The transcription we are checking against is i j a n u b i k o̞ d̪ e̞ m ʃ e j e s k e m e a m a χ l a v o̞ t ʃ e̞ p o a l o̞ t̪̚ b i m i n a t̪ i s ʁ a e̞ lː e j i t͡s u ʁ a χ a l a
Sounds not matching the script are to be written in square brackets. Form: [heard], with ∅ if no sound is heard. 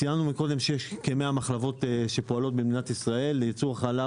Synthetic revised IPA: i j a n u [m] i k o̞ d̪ e̞ m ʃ e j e [ʃ] k e m e a m a χ l a v o̞ t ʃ e̞ p o a l o̞ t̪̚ b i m i n a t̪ i s ʁ a e̞ lː e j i t͡s u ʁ a χ a l a